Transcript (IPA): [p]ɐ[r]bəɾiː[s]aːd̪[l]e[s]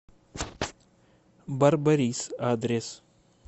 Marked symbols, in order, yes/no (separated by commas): no, no, yes, no, yes